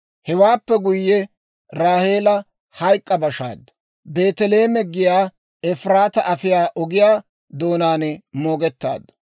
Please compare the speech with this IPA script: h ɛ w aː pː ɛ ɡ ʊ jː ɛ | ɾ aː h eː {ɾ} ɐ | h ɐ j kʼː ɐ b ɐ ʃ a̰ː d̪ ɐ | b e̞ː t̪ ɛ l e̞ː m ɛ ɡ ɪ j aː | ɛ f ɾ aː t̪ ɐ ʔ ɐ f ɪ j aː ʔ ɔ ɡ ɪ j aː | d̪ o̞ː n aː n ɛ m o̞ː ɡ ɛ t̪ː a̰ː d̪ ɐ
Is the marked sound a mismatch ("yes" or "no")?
yes